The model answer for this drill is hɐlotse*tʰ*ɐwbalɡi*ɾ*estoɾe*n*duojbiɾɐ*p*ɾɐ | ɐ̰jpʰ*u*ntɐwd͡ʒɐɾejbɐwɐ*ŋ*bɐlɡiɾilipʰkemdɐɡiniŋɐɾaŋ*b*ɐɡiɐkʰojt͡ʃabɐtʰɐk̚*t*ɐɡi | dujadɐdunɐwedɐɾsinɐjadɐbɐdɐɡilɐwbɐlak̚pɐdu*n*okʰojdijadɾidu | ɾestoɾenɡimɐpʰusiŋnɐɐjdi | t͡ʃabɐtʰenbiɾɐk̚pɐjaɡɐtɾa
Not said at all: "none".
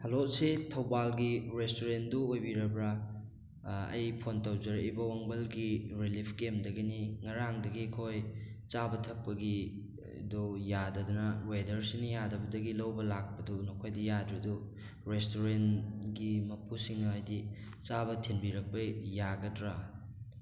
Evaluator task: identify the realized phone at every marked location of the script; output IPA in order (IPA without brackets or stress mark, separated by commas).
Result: tʰ, ɾ, n, b, o, ŋ, d, p, n